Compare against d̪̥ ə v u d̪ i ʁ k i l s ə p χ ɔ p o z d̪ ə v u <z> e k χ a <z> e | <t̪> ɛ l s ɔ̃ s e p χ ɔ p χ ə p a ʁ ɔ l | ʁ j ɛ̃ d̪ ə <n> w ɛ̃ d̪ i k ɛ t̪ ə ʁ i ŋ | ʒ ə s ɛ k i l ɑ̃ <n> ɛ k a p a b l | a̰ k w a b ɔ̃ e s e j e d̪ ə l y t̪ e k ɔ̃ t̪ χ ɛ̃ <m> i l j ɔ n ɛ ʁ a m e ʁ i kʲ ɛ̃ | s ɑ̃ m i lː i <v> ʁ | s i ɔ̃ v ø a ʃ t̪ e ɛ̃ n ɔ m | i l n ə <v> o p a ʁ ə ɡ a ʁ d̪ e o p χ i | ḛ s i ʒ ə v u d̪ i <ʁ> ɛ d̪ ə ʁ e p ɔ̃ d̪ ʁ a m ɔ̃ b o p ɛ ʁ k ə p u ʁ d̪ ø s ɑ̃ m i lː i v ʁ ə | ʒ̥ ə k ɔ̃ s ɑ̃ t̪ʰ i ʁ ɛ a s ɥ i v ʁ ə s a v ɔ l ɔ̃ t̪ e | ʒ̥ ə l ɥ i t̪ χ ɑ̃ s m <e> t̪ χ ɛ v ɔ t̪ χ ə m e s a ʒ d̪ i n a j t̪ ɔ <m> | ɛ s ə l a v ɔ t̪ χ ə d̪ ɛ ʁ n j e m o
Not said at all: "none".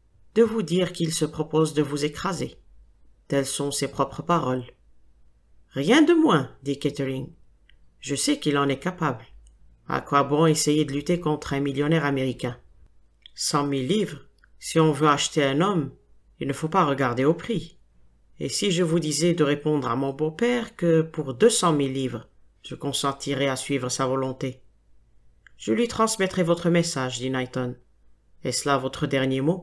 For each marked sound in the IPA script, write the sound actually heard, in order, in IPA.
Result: z, z, t̪, m, n, m, v, f, z, ɛ, n

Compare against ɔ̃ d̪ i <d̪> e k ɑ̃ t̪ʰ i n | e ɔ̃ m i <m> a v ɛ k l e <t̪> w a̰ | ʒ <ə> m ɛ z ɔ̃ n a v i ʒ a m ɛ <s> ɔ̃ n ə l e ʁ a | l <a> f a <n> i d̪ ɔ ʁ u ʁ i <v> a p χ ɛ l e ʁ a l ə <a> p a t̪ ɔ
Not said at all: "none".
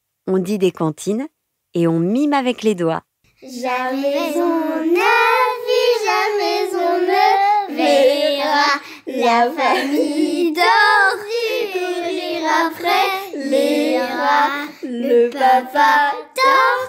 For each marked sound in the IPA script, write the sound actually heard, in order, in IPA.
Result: d̪, m, d̪, a, z, a, m, ʁ, a

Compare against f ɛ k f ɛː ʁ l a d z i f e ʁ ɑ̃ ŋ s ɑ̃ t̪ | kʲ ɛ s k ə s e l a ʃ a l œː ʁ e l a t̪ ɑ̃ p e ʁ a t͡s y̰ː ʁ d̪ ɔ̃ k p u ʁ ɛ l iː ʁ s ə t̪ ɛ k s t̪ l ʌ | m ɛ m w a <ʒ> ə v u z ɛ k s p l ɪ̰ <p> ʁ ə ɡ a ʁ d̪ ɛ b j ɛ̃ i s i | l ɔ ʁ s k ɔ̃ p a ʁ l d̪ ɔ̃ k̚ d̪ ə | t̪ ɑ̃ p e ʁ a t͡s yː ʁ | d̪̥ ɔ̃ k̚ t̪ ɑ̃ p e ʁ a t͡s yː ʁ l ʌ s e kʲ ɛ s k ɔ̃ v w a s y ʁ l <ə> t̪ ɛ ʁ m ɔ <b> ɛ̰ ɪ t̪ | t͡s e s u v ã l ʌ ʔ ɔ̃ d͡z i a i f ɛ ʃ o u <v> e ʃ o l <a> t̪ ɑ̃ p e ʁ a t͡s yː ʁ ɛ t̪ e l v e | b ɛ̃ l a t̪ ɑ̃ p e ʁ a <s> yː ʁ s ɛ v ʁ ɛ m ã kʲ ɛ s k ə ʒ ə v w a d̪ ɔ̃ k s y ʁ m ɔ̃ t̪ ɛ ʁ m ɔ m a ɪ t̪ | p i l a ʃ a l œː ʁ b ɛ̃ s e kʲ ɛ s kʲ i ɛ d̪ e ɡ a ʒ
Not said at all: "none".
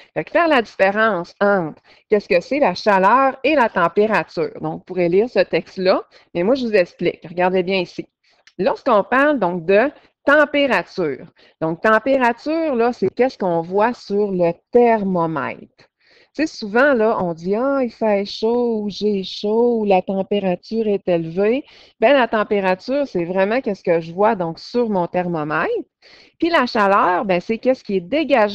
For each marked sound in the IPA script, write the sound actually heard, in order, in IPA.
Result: ʒ, k, ə, m, ʒ, a, t͡s

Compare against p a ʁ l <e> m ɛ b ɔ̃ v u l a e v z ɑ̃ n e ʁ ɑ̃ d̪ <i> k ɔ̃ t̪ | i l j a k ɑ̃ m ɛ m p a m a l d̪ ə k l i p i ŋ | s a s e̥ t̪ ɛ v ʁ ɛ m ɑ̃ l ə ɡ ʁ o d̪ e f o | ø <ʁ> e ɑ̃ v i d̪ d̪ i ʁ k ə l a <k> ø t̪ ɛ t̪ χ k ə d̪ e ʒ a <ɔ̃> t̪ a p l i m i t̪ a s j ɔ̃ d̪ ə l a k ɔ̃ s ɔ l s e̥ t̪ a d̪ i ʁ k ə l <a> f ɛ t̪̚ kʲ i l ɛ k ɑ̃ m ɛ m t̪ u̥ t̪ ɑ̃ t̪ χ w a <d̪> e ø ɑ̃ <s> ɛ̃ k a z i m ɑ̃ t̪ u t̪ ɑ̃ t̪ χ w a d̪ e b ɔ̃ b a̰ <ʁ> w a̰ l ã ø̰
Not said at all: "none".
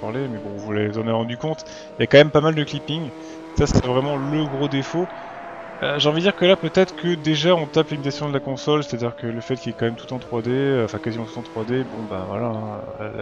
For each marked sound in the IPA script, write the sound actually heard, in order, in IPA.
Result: e, y, ʒ, p, ɔ̃, ə, d̪, f, v

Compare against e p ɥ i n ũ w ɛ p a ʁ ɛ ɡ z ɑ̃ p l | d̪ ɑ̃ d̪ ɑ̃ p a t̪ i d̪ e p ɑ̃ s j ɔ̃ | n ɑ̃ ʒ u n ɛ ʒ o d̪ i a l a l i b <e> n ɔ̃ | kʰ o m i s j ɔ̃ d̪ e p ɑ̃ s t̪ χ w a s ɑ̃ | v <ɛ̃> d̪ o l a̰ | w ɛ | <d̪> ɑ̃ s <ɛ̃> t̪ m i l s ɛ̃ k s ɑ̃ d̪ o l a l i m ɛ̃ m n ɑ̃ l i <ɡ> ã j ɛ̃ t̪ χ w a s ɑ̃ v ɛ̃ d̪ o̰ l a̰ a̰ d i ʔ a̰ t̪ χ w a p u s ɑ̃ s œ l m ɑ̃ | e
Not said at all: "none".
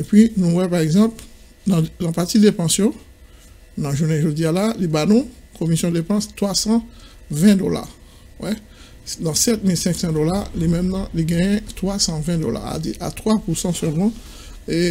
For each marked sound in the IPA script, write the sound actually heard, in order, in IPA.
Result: a, ɛ̃, d̪, ɛ, ɡ

